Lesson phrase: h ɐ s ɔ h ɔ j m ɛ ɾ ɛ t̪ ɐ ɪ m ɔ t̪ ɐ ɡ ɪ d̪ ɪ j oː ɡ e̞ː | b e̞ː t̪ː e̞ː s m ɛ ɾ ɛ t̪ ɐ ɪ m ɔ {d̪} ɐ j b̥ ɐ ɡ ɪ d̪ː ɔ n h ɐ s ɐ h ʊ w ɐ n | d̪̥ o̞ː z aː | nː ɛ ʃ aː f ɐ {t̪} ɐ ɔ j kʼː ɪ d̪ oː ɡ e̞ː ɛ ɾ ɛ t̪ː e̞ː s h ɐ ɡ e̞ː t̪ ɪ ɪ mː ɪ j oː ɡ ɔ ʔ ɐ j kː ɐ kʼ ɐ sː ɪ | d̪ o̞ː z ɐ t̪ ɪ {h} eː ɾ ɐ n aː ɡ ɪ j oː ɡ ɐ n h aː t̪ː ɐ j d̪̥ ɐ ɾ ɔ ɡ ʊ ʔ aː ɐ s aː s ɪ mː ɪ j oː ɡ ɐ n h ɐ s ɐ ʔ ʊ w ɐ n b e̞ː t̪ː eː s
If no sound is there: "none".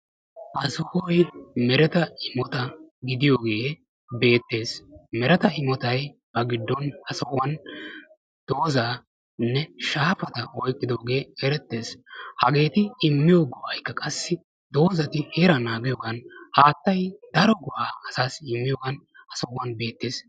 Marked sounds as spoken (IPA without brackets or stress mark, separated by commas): t̪, t̪, h